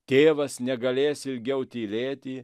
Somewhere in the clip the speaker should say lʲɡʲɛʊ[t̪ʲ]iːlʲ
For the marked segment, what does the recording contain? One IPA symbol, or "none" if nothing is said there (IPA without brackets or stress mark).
t̪ʲ